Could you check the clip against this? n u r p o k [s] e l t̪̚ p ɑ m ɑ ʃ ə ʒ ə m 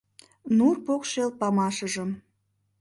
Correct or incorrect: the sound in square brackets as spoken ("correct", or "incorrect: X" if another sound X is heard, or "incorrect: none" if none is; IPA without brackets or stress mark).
incorrect: ʃ